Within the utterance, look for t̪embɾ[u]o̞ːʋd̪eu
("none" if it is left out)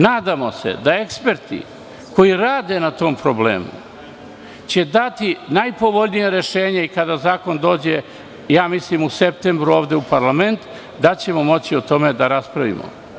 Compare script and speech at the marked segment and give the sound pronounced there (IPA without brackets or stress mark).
u